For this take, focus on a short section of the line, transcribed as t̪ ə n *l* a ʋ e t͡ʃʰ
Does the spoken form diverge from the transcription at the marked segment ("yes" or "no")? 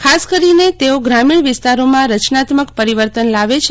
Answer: no